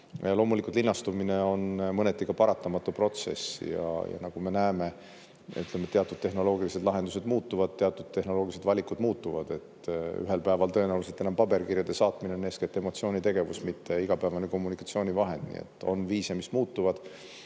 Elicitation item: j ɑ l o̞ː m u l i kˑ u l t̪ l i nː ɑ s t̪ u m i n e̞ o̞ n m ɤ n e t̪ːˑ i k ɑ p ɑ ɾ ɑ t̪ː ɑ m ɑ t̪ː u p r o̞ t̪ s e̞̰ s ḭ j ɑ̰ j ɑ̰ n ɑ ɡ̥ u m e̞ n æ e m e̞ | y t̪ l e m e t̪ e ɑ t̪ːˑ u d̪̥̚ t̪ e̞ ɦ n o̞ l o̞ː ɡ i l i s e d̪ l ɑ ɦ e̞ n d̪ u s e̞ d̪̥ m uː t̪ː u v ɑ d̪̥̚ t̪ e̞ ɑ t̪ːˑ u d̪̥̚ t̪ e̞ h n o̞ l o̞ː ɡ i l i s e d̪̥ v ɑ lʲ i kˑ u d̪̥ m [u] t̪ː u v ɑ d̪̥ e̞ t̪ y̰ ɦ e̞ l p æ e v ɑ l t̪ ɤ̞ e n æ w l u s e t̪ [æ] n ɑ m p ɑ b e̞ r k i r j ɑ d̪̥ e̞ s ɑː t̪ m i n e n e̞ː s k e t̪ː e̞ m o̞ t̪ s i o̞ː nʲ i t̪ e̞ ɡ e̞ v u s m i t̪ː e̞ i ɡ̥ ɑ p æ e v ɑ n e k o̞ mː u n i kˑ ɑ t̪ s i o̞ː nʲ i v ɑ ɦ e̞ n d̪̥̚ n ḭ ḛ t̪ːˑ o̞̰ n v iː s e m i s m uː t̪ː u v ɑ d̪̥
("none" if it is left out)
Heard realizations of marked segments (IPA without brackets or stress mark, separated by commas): uː, e